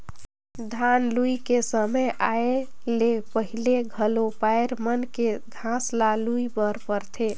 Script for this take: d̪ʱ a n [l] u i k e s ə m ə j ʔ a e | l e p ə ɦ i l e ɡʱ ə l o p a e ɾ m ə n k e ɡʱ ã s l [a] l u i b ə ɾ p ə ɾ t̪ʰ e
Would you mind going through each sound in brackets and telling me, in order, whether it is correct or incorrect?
correct, correct

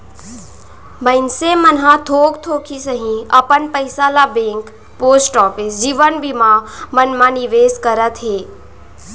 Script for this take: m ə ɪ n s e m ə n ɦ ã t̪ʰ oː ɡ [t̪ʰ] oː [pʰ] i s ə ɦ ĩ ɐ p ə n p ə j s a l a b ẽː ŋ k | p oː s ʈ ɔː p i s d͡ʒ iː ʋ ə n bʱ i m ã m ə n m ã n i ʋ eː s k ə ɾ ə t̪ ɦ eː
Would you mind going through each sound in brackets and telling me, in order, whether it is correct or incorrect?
correct, incorrect: kʰ

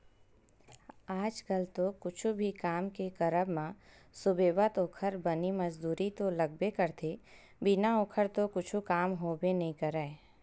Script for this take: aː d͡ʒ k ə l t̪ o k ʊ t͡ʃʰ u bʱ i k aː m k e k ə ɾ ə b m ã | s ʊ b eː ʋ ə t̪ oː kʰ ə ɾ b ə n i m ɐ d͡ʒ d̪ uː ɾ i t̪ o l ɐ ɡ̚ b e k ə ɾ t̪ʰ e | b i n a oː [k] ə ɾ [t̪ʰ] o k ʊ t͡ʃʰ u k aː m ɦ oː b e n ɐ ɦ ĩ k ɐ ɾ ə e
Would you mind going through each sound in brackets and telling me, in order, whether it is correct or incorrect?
incorrect: kʰ, incorrect: t̪

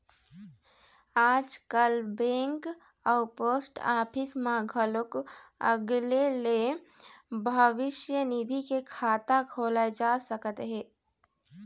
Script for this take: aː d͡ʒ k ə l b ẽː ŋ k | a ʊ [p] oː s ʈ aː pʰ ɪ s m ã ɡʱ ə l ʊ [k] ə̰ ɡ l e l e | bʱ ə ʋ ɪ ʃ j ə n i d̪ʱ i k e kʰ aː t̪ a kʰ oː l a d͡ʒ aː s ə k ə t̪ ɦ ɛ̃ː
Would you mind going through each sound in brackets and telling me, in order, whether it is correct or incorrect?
correct, correct

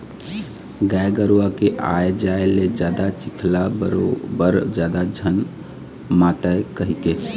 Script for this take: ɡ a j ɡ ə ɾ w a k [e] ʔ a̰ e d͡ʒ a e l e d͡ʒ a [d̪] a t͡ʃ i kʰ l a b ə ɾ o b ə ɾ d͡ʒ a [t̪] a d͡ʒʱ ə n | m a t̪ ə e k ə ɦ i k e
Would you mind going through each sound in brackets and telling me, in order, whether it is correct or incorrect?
correct, correct, incorrect: d̪

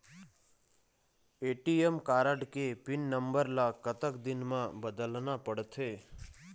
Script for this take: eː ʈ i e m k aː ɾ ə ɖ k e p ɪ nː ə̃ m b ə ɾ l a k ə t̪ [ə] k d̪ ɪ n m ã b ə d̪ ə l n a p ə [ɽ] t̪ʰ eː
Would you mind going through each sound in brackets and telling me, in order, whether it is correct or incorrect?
correct, correct

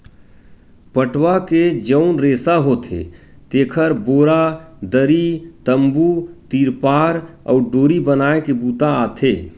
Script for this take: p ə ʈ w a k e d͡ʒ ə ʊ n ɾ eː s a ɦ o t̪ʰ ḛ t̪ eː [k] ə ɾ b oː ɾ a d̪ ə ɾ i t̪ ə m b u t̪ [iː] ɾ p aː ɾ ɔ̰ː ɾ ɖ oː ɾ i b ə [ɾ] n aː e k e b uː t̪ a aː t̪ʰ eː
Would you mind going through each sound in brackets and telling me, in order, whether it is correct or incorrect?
incorrect: kʰ, correct, incorrect: none

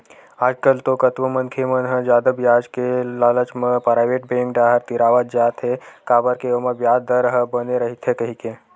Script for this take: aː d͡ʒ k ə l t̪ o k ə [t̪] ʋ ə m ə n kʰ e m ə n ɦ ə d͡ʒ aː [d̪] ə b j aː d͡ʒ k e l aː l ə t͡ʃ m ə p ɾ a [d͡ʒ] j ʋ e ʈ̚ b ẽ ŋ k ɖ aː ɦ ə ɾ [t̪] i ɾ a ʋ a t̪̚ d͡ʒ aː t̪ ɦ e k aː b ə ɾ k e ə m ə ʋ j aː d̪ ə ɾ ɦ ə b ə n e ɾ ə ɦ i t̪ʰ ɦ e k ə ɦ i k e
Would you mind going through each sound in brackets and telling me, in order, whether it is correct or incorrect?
correct, correct, incorrect: none, correct

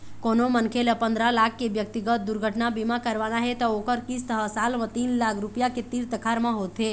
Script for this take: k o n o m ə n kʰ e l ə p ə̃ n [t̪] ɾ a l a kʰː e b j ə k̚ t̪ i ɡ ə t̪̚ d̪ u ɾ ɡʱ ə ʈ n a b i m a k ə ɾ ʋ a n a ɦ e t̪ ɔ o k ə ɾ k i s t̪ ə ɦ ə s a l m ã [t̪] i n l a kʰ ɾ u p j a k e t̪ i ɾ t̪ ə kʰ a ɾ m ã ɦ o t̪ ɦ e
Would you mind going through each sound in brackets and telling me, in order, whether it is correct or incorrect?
incorrect: d̪, correct

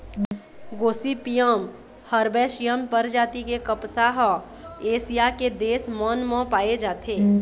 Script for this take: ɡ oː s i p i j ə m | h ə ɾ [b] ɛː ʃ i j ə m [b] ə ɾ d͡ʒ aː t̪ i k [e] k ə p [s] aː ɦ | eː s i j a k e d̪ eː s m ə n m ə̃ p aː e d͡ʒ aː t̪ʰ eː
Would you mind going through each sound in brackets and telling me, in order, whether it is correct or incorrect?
correct, incorrect: p, correct, correct

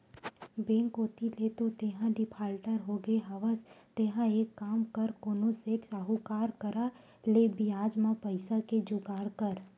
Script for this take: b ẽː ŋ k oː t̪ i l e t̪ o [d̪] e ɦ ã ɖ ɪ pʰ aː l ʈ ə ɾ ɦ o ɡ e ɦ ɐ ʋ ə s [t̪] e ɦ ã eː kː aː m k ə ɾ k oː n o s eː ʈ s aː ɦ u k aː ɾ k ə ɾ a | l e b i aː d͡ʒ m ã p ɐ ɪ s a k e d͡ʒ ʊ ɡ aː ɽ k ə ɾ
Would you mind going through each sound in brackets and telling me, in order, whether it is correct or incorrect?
incorrect: t̪, correct

